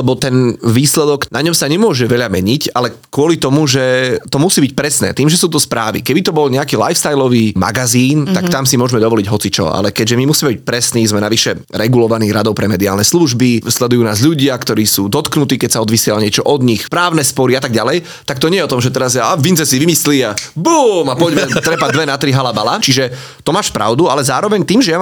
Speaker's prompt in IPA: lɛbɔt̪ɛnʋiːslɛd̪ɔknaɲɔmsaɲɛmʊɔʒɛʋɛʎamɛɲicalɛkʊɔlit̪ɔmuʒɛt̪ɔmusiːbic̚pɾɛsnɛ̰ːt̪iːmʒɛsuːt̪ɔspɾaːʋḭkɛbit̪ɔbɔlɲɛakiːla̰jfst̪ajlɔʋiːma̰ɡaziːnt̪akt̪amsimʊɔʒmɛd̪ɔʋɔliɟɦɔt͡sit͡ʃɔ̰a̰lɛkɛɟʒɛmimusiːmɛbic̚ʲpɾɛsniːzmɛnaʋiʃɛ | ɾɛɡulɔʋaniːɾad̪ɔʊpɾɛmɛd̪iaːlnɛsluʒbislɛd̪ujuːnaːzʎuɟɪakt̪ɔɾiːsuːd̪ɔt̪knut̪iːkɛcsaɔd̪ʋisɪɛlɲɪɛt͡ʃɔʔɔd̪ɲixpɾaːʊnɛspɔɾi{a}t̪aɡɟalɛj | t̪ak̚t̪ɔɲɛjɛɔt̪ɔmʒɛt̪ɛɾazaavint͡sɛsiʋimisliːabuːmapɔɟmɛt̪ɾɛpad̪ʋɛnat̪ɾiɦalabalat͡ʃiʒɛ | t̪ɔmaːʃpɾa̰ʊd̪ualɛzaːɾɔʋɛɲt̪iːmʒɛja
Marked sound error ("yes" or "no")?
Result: no